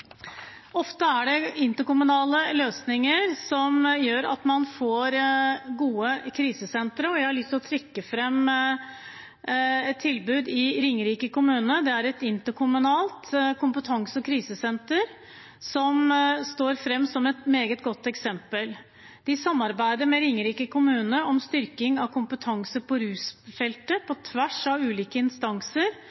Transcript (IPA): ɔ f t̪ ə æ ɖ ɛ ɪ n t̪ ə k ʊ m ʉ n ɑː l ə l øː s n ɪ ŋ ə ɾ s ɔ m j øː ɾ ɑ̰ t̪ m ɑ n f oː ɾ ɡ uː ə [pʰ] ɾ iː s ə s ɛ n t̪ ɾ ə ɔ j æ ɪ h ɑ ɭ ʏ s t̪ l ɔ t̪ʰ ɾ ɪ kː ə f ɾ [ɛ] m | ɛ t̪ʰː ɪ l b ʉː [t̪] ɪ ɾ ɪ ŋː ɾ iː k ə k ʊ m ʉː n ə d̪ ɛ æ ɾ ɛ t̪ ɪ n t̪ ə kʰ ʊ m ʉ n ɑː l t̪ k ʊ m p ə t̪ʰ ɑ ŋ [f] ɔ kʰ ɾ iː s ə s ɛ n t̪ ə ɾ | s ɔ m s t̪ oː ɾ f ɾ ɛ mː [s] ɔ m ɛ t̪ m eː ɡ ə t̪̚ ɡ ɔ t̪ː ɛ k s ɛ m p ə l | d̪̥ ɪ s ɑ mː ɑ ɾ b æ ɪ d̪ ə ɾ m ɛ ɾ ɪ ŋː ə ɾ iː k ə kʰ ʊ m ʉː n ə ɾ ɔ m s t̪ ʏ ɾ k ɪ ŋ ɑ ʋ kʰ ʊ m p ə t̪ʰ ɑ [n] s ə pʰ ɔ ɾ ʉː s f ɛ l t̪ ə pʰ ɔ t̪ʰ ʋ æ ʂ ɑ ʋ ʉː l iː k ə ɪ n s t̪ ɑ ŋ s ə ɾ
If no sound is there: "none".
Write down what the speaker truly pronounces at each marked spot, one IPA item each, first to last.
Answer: kʰ, ɛ, d̪, s, s, ŋ

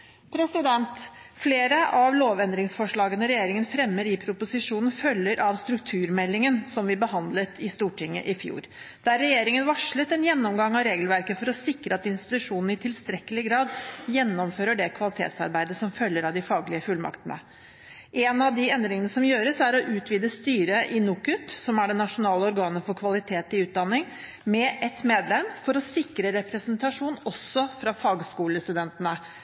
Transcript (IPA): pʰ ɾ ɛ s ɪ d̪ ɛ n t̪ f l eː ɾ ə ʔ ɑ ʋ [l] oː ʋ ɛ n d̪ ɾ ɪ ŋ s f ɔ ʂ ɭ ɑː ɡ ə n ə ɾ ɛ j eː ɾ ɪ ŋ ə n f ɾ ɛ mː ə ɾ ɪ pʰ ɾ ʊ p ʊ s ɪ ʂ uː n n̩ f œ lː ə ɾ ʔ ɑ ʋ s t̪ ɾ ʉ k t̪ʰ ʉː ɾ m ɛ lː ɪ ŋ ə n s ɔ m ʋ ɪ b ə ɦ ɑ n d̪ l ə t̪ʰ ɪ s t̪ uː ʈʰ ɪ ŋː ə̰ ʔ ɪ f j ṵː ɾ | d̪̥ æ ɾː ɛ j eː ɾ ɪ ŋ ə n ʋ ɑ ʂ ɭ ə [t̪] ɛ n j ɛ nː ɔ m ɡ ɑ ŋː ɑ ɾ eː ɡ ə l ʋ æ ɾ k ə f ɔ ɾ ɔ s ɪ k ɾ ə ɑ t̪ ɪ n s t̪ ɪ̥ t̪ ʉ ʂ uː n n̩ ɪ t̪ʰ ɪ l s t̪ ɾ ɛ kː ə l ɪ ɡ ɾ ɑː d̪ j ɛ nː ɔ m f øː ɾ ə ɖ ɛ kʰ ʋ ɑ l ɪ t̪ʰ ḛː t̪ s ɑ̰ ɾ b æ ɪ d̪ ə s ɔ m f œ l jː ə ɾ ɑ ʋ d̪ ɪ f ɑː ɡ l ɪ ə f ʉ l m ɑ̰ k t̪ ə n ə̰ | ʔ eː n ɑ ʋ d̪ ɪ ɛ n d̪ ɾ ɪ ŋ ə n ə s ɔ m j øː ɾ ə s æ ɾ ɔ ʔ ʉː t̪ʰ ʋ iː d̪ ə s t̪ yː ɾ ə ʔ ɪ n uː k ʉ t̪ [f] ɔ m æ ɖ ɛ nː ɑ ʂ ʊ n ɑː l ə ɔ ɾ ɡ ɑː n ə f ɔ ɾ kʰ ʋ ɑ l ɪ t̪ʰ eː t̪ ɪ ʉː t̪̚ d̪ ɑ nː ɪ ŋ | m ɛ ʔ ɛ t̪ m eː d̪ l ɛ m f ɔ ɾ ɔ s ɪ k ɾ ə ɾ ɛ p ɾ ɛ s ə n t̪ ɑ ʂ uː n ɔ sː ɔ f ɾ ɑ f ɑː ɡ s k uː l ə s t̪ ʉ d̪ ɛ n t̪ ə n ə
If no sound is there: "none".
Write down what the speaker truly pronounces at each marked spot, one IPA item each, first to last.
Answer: l, t̪, s

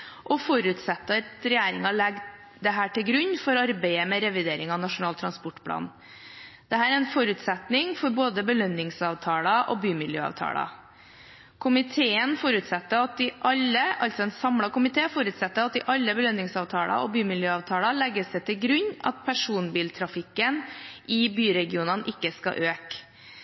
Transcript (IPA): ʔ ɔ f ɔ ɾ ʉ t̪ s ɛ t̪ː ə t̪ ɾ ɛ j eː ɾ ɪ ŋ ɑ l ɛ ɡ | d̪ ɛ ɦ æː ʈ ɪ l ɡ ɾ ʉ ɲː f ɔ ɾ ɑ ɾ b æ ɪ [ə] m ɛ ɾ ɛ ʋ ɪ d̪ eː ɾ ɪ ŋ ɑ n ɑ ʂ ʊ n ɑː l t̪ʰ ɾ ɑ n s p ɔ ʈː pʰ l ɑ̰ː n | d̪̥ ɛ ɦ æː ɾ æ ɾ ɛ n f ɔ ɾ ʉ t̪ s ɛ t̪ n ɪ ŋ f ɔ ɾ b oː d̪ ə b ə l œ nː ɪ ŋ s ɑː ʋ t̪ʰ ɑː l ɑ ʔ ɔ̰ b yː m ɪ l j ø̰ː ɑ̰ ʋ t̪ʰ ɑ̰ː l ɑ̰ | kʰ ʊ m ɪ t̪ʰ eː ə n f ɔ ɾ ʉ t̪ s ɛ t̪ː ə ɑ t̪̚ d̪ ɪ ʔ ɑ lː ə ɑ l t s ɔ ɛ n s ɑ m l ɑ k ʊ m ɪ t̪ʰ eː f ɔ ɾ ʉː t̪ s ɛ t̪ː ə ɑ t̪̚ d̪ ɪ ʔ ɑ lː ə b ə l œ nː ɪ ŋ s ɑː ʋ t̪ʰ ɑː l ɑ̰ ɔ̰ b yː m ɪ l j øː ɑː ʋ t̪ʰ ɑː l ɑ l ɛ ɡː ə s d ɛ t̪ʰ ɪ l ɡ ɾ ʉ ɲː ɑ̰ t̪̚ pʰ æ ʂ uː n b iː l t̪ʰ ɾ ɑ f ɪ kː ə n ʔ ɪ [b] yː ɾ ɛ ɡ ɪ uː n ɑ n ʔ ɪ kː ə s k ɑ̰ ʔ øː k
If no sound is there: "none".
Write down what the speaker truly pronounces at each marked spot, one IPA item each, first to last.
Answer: ə, b

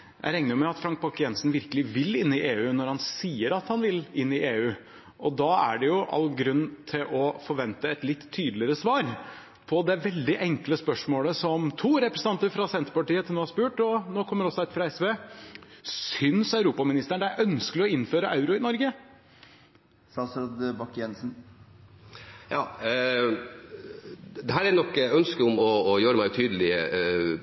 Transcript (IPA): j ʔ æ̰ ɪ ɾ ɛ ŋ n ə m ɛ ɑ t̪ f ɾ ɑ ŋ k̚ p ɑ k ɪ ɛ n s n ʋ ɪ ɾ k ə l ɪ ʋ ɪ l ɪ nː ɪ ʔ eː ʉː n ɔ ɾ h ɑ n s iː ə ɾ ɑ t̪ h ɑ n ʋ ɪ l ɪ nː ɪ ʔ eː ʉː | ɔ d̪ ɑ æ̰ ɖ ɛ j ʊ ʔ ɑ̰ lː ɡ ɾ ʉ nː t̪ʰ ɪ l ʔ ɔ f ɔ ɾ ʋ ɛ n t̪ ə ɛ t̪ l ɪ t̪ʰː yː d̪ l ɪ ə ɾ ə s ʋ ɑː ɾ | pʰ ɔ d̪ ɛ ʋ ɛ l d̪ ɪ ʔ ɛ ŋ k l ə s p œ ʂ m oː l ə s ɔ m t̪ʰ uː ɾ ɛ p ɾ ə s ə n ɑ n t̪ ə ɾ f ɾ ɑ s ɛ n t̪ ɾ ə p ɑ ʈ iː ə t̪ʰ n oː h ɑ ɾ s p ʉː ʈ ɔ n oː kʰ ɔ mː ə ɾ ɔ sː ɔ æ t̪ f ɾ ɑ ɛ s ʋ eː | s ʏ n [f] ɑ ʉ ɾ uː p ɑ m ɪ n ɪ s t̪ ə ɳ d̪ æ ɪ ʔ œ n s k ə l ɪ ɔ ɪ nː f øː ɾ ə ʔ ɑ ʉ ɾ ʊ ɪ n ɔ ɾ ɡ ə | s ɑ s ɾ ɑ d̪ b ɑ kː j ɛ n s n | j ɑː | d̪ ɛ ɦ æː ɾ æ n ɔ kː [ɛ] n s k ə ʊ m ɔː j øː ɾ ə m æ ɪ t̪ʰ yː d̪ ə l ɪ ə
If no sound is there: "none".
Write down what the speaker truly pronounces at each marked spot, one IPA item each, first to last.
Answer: s, œ

